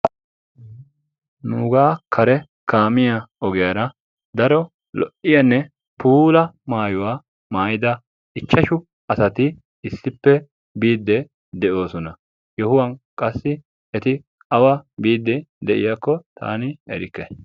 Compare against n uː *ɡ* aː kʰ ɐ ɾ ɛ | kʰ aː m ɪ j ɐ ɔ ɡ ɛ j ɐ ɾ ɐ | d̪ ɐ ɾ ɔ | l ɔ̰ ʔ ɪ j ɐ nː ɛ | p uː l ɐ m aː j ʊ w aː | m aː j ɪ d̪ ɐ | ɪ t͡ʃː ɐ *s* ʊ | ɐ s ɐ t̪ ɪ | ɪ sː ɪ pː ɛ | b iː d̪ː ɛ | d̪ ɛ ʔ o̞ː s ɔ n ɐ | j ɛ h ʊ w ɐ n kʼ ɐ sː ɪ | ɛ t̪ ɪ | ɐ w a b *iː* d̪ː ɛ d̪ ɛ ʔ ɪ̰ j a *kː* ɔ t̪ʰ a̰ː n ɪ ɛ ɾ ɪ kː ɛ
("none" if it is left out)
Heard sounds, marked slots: ɡ, ʃ, iː, kː

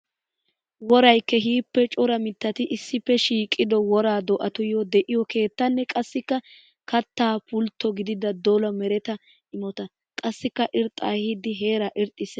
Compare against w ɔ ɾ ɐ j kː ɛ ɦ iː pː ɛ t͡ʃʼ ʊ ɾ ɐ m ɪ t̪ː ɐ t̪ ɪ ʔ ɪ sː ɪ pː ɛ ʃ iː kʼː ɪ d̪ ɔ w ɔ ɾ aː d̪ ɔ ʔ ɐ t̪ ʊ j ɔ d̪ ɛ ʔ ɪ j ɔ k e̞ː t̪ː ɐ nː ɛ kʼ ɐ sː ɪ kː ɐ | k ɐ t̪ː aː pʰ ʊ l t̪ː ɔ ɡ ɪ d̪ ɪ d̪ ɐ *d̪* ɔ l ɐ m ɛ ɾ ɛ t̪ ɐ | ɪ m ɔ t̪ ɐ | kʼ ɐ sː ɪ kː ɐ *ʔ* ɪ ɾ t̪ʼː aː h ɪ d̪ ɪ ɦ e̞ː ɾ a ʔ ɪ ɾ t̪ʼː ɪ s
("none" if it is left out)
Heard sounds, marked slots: d̪, ʔ

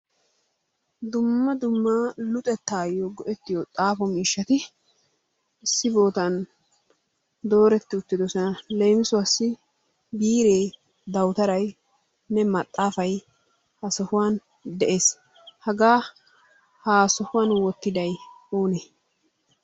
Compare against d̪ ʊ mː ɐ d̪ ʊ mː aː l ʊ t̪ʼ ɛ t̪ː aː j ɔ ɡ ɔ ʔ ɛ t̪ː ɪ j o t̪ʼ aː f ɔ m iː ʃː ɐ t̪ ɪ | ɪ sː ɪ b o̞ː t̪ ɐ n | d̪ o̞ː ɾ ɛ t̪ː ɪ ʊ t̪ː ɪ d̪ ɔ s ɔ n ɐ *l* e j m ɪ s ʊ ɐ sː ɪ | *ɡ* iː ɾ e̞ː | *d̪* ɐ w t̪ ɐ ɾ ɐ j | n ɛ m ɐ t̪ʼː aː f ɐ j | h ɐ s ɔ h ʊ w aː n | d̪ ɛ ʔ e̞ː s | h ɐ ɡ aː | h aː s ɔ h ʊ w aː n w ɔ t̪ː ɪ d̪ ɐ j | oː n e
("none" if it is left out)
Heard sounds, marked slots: l, b, d̪

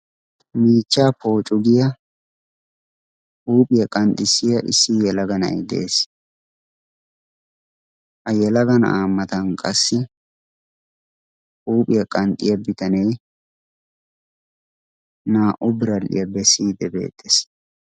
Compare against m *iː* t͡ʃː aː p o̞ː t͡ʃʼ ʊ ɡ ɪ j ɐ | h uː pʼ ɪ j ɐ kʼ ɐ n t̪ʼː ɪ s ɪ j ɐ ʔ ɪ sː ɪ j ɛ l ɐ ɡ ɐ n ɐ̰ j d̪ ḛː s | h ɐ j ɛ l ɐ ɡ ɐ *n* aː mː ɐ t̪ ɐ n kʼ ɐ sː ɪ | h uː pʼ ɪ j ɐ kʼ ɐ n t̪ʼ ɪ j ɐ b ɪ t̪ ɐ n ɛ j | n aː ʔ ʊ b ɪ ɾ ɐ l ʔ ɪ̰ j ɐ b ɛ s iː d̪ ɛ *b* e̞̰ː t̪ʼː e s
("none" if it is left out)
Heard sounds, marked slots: iː, n, b

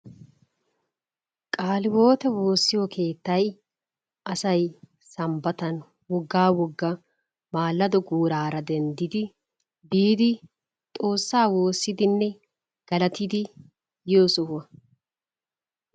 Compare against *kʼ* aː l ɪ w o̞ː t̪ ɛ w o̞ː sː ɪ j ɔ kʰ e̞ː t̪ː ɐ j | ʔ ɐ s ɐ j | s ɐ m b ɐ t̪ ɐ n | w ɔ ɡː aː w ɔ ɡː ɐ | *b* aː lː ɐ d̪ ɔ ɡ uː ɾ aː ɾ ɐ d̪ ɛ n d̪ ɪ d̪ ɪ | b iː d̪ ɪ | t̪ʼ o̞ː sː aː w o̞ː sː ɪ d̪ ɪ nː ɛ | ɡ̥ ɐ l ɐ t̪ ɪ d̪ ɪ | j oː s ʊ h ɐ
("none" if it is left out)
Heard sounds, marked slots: kʼ, m

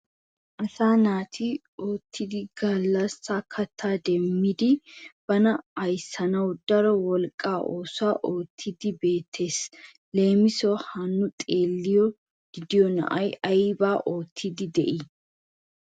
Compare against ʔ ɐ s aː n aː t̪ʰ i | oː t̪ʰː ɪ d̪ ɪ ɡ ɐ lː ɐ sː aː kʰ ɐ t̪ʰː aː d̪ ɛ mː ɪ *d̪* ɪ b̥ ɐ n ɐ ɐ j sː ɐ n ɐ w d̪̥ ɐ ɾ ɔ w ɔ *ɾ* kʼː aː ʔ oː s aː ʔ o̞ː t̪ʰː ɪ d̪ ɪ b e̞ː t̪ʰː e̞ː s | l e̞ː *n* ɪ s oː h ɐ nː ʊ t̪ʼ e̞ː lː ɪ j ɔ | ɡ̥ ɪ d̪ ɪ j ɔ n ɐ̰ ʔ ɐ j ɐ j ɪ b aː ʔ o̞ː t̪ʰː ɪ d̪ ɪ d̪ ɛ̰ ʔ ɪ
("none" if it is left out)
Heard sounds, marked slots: d̪, l, m

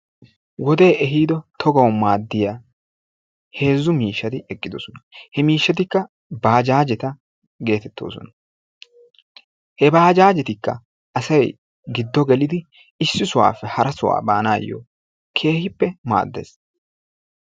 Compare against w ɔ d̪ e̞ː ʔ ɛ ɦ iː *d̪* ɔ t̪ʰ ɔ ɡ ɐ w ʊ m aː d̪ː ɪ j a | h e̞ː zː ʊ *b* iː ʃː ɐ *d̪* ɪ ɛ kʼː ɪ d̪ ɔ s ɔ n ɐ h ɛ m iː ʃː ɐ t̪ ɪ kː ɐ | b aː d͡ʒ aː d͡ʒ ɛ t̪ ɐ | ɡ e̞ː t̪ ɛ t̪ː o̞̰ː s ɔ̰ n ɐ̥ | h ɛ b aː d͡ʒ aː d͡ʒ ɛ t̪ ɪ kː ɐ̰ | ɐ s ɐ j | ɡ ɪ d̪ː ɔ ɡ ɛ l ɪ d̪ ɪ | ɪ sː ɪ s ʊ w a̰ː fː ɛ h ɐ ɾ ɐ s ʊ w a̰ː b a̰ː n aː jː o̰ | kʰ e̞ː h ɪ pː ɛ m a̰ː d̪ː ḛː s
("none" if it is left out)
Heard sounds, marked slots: d̪, m, t̪

